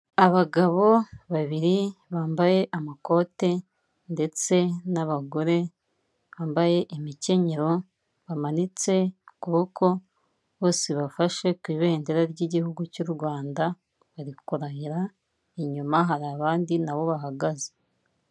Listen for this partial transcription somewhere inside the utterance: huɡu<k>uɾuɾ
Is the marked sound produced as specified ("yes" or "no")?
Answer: no